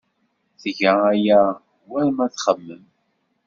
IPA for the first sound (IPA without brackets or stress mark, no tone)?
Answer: θ